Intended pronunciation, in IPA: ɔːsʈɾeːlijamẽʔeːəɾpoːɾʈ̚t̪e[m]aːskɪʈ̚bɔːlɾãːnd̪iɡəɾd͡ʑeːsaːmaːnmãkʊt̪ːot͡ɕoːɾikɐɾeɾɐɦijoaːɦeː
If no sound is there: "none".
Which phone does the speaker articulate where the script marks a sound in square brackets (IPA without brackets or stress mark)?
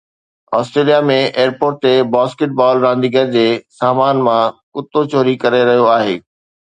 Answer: b